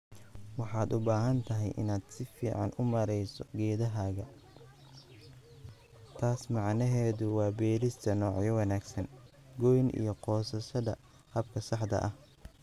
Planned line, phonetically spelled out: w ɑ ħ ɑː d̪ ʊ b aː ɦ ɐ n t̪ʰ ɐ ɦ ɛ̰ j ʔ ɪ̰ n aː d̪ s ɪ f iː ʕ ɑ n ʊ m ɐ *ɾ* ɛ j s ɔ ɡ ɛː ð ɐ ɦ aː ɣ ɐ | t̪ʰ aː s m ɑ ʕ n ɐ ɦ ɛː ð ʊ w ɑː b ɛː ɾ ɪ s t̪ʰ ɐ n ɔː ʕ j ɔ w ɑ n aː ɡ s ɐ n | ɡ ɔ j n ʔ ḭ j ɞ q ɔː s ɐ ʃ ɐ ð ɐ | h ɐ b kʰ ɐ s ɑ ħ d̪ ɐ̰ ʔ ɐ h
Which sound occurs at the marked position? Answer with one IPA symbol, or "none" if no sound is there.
ɾ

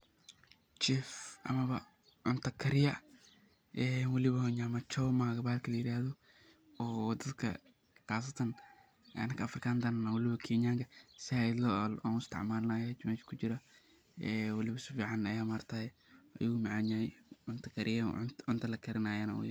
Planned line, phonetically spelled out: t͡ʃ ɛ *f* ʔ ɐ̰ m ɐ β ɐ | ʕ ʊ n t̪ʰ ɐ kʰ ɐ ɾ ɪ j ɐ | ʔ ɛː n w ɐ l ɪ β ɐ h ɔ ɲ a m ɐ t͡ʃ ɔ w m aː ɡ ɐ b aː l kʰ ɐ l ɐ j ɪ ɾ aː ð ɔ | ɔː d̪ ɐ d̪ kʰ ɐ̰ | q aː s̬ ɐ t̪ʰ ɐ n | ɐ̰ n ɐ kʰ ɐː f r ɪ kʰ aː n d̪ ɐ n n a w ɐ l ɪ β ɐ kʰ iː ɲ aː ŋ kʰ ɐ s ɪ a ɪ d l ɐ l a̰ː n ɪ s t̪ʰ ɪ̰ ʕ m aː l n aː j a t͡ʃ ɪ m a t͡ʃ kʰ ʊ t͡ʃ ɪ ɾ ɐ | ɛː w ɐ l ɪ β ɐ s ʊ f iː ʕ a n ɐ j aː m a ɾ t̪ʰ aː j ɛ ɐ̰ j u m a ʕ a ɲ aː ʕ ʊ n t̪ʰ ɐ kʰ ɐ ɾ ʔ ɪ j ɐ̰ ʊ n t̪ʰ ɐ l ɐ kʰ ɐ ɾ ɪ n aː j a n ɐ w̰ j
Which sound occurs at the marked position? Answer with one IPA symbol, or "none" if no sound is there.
f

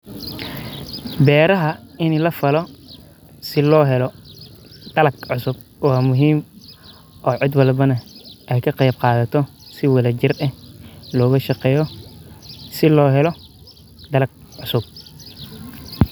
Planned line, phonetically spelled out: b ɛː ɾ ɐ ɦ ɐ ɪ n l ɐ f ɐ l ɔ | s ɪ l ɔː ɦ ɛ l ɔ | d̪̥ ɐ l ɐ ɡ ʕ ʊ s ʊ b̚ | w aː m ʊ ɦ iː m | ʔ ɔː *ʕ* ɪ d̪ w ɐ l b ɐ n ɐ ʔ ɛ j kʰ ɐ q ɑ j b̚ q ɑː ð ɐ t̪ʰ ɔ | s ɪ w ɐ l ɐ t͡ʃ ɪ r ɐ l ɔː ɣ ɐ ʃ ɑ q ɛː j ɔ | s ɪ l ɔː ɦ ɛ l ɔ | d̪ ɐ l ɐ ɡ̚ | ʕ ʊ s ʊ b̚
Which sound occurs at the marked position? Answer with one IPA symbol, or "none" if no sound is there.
ʕ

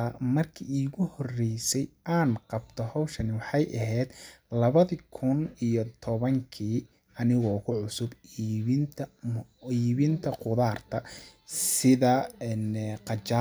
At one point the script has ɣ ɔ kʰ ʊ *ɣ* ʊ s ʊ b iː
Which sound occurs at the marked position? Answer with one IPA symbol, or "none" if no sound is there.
ʕ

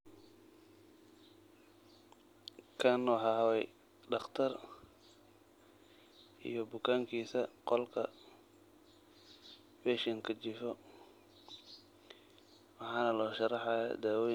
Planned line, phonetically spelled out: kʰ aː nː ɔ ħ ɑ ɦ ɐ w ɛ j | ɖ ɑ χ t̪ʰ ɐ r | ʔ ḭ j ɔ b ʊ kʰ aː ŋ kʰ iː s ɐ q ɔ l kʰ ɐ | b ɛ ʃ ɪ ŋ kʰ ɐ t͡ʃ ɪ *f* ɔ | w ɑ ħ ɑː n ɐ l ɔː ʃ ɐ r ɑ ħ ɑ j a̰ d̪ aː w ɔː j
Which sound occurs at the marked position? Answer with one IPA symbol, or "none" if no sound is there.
f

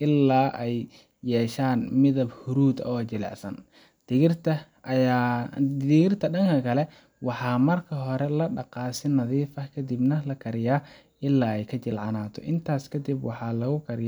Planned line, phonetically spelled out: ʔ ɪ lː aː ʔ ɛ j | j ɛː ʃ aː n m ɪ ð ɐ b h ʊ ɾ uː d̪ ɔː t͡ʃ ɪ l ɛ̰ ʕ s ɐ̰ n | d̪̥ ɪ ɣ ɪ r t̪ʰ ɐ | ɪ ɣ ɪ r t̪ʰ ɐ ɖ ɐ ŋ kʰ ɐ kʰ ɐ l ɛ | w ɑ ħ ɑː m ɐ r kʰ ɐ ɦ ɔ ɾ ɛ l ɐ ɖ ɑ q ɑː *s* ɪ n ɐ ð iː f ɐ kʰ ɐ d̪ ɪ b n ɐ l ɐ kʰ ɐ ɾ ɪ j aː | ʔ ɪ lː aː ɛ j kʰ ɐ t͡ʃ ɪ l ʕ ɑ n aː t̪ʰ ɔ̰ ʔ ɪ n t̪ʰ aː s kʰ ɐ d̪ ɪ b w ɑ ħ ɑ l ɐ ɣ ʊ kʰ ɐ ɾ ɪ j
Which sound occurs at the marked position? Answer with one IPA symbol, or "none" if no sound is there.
s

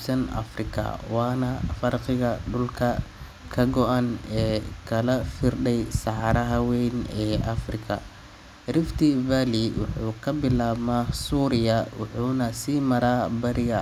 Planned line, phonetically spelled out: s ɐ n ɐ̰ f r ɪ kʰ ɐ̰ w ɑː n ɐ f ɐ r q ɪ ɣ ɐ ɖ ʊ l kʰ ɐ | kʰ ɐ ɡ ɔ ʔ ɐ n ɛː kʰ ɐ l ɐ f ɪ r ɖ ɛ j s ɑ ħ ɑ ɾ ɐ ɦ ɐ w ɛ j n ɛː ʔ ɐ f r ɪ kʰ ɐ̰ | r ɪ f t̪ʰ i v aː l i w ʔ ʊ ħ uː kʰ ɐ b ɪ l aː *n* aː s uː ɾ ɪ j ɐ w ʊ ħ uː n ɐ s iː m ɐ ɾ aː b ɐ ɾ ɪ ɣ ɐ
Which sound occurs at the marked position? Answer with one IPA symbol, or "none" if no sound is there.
m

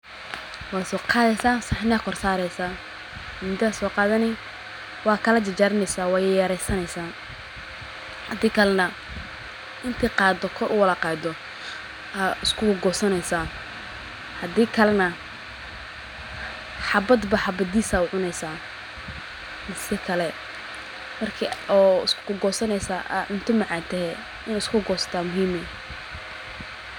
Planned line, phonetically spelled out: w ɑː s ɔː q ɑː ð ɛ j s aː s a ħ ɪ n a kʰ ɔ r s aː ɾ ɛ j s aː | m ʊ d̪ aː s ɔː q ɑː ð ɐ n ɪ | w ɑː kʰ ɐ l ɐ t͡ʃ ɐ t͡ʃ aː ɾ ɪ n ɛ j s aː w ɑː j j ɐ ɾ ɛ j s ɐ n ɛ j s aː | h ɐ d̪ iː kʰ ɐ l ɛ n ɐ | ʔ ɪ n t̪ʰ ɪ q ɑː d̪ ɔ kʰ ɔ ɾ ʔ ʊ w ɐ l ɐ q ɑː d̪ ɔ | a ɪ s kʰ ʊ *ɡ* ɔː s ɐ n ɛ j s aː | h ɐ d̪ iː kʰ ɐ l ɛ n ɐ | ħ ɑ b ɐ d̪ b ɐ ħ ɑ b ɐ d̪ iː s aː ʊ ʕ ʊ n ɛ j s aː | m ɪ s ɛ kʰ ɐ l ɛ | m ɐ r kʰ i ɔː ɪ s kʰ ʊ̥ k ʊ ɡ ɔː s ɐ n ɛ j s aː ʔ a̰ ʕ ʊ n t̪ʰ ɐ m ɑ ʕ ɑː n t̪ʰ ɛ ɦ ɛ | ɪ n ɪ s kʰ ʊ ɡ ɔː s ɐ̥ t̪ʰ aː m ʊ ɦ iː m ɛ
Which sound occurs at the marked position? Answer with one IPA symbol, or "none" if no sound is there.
ɡ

